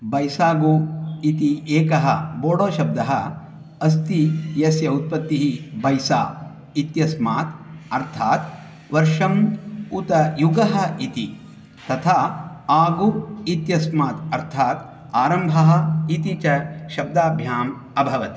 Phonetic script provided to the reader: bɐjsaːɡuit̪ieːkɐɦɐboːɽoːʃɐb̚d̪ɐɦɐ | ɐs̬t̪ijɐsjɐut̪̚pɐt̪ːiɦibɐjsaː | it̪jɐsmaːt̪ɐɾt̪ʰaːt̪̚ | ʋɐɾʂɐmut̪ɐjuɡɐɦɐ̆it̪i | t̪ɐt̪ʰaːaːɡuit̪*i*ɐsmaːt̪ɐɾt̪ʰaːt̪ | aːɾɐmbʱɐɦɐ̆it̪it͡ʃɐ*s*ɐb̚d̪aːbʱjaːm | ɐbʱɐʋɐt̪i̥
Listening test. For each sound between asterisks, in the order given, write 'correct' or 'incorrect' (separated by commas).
incorrect, incorrect